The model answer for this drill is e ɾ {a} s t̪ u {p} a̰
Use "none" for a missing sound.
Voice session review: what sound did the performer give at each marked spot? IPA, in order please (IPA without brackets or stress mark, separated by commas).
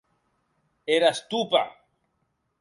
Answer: a, p